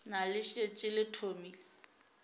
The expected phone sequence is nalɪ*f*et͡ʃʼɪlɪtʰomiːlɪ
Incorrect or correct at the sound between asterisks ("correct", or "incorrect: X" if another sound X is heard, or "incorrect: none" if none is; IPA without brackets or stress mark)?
incorrect: ʃ